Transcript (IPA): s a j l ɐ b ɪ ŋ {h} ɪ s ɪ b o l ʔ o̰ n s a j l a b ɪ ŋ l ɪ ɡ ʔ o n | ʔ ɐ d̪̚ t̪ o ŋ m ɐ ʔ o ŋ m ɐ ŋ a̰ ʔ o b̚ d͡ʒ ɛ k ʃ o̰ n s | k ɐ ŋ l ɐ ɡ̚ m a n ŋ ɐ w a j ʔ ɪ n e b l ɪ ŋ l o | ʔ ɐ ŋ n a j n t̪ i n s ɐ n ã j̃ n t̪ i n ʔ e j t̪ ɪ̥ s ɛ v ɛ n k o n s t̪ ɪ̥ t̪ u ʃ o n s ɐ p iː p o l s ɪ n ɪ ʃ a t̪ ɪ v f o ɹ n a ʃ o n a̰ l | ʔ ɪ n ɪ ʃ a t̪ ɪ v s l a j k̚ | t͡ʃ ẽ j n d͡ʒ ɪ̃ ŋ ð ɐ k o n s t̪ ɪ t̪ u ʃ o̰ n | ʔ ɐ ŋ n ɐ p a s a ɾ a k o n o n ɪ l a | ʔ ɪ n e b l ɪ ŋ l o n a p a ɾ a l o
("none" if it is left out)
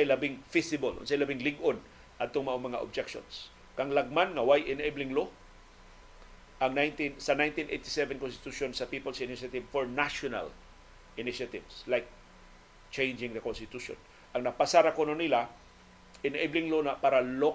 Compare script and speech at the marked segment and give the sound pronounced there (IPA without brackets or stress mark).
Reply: f